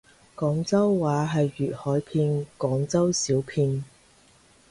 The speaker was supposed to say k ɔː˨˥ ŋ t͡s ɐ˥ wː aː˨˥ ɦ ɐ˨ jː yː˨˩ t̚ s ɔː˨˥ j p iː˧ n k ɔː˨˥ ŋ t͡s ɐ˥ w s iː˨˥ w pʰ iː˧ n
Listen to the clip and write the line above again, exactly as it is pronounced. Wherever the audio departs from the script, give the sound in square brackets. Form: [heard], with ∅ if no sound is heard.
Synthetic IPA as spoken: k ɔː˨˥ ŋ t͡s ɐ˥ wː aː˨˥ ɦ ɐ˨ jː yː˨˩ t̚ [h] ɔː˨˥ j [pʰ] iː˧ n k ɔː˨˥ ŋ t͡s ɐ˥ w s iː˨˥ w pʰ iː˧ n